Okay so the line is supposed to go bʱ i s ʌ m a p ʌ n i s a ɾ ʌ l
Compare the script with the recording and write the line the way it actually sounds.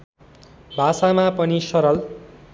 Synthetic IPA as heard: bʱ a s a m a p ʌ n i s ʌ ɾ ʌ l

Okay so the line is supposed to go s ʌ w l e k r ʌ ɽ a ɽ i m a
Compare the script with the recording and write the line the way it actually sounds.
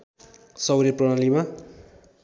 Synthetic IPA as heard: s ʌ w ɾ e p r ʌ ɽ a l i m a

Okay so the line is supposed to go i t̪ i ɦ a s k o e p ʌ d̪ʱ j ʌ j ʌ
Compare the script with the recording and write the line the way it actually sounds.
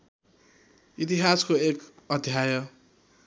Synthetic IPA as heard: i t̪ i ɦ a s k o e k ʌ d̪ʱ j a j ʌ

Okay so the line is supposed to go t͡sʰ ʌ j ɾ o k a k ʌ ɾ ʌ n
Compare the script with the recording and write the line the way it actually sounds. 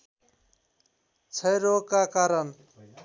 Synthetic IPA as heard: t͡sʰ ʌ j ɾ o k a k a ɾ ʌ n

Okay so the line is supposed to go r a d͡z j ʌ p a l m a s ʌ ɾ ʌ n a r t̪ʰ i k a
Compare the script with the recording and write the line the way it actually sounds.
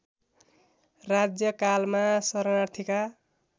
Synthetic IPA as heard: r a d͡z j ʌ k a l m a s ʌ ɾ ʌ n a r t̪ʰ i k a

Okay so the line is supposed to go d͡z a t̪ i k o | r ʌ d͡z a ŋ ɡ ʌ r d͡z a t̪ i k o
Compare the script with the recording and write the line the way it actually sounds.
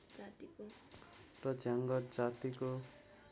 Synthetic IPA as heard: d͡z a t̪ i k o | r ʌ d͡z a ŋ ɡ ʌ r d͡z a t̪ i k o

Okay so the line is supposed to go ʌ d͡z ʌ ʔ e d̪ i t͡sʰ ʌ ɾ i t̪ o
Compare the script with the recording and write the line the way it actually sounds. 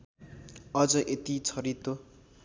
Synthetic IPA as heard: ʌ d͡z ʌ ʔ e t̪ i t͡sʰ ʌ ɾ i t̪ o

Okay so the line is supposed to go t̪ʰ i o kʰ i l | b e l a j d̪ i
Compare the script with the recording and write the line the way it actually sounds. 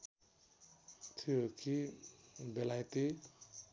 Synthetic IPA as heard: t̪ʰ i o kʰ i | b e l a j t̪ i

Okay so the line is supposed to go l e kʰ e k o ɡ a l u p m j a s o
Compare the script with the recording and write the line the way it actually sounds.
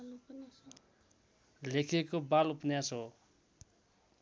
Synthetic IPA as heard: l e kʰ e k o b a l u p n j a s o

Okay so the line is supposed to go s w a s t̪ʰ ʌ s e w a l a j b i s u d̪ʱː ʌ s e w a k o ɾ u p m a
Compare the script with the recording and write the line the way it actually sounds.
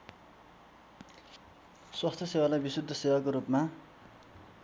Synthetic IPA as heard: s w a s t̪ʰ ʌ s e w a l a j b i s u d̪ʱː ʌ s e w a k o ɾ u p m a

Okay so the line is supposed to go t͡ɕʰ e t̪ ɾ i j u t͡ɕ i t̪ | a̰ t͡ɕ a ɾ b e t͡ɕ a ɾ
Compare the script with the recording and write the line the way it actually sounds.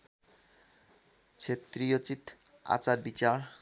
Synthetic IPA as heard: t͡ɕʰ e t̪ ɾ i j o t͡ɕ i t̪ | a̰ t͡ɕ a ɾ b i t͡ɕ a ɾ

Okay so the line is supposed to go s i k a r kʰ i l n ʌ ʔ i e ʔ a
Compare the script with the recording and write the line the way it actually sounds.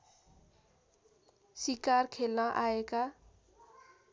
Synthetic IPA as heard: s i k a r kʰ e l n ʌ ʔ a e k a

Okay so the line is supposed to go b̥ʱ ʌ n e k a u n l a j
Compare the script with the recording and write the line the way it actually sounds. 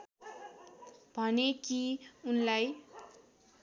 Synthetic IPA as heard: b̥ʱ ʌ n e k i u n l a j

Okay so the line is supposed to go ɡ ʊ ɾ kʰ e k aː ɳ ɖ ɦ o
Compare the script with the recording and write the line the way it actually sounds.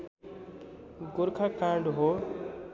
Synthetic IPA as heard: ɡ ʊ ɾ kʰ a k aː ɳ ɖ ɦ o

